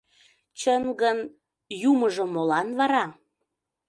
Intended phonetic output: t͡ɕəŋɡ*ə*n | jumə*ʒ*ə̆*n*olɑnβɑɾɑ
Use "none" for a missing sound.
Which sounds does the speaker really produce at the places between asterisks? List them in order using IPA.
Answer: ə, ʒ, m

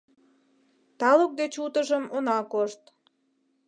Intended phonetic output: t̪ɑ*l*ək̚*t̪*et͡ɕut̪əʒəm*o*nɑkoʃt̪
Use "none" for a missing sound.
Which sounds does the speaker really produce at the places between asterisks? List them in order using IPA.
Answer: l, d̪, o

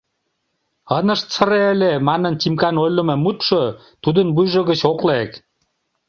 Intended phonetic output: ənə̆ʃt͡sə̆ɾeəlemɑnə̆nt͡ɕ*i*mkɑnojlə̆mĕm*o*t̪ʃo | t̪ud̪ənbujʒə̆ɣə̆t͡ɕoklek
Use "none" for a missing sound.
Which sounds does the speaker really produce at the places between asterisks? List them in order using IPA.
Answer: i, u

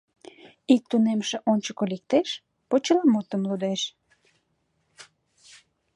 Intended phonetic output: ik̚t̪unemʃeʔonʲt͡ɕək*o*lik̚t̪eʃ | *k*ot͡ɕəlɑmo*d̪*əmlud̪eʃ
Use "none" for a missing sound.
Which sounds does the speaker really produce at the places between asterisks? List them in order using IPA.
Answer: o, p, t̪

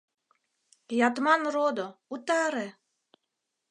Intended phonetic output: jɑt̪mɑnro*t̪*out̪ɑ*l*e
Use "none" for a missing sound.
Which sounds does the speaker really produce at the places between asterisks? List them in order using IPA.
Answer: d̪, ɾ

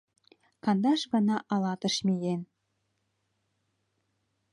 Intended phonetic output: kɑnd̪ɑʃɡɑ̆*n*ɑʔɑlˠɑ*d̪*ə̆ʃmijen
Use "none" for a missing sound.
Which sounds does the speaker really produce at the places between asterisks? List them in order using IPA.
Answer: n, t̪

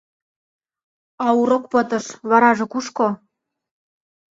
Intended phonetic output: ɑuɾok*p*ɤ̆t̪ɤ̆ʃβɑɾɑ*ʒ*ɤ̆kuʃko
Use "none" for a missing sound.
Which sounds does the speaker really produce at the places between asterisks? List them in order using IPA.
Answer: p, ʒ

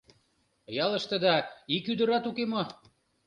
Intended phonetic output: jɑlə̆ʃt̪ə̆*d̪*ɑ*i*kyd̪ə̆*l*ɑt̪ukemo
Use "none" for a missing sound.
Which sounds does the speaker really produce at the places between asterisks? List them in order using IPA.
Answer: d̪, i, ɾ

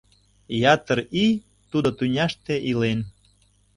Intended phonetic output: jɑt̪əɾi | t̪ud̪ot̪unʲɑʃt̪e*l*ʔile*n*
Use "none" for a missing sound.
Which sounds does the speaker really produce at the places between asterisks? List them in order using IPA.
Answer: none, n

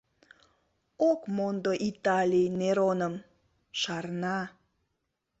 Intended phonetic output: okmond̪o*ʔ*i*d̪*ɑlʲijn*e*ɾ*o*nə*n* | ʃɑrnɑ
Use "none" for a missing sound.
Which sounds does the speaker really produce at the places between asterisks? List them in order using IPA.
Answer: ʔ, t̪, e, o, m

